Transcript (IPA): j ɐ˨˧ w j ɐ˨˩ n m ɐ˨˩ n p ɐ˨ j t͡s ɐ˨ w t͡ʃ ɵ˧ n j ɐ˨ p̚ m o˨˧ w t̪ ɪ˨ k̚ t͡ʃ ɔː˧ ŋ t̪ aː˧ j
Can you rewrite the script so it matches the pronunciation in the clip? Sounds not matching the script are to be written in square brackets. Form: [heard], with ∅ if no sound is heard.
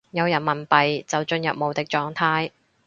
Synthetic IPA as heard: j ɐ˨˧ w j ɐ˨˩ n m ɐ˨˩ n p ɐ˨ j t͡s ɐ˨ w t͡ʃ ɵ˧ n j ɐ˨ p̚ m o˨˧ w t̪ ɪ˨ k̚ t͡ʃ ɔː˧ ŋ [t̪ʰ] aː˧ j